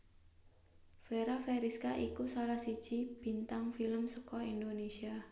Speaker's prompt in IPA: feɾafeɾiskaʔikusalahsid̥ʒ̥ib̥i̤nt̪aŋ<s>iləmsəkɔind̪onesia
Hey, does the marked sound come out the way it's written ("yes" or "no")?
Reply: no